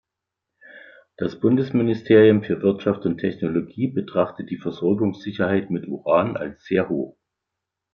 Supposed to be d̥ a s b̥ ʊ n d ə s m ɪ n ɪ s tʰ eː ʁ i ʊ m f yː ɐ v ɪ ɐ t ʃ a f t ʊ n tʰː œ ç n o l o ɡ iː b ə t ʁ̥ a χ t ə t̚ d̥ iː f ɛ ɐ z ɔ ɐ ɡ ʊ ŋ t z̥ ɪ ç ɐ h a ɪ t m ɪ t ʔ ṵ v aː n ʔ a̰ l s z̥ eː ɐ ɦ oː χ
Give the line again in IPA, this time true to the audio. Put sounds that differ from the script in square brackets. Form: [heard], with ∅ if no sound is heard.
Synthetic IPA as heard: d̥ a s b̥ ʊ n d ə s m ɪ n ɪ s tʰ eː ʁ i ʊ m f yː ɐ v ɪ ɐ t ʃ a f t ʊ n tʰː [ɛ] ç n o l o ɡ iː b ə t ʁ̥ a χ t ə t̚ d̥ iː f ɛ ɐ z ɔ ɐ ɡ ʊ ŋ [s] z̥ ɪ ç ɐ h a ɪ t m ɪ t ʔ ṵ [ʁ] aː n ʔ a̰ l s z̥ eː ɐ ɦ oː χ